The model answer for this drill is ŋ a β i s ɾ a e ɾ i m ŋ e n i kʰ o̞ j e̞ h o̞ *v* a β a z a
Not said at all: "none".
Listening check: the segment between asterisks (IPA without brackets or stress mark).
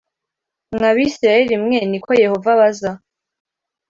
v